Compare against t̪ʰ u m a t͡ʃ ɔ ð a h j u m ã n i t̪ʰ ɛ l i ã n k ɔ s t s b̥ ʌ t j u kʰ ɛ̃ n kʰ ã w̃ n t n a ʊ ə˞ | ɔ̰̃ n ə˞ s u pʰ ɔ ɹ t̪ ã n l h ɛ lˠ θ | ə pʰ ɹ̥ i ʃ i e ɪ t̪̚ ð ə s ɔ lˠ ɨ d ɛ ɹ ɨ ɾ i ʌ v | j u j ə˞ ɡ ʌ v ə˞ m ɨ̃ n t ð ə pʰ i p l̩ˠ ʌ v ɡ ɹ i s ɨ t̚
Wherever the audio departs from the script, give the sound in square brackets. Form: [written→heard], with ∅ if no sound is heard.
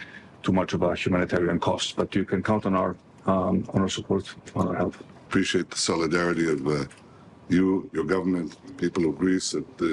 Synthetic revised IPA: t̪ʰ u m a t͡ʃ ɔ [ð→v] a h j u m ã n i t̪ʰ ɛ [l→ɹ] i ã n [k→kʰ] ɔ s t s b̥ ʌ t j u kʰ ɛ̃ n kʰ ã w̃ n t n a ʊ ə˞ | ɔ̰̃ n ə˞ s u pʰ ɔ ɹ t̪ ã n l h ɛ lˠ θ | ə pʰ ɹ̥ i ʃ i e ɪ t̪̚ ð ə s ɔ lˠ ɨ d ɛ ɹ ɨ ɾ i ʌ v | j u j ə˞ ɡ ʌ v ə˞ m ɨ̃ n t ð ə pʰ i p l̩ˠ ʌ v ɡ ɹ i s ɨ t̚